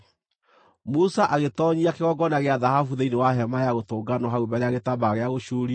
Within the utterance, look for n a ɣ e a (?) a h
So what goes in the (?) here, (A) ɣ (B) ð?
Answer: B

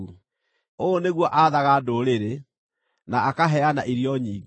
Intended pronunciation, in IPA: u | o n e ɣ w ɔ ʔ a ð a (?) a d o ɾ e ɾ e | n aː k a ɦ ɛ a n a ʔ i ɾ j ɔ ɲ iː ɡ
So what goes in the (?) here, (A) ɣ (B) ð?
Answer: A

